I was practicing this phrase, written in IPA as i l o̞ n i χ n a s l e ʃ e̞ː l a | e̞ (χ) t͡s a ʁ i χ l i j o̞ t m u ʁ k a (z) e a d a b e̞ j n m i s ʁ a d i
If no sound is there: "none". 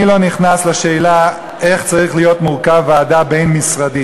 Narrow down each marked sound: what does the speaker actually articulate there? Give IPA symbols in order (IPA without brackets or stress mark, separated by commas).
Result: χ, v